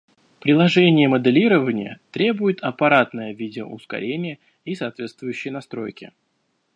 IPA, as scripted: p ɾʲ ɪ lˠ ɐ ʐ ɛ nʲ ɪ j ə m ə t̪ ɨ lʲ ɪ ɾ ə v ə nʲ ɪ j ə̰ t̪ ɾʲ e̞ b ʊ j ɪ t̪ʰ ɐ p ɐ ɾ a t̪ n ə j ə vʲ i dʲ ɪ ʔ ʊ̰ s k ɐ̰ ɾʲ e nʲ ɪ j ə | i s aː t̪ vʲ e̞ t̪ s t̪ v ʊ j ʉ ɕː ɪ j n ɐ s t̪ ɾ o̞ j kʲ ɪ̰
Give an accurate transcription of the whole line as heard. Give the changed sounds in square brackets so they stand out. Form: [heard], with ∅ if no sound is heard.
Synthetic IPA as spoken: p ɾʲ ɪ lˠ ɐ ʐ ɛ nʲ ɪ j ə m ə [d̪] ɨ lʲ [i] ɾ ə v ə nʲ ɪ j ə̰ t̪ ɾʲ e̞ b ʊ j ɪ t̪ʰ ɐ p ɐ ɾ a t̪ n ə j ə vʲ i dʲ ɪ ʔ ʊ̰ s k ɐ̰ ɾʲ e nʲ ɪ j ə | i s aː t̪ vʲ e̞ t̪ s t̪ v ʊ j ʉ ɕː ɪ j n ɐ s t̪ ɾ o̞ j kʲ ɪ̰